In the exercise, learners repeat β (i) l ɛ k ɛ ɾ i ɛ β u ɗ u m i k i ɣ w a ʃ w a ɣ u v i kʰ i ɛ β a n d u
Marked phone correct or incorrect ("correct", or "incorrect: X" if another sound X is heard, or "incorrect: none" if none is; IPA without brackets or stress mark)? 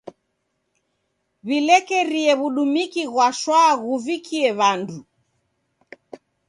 correct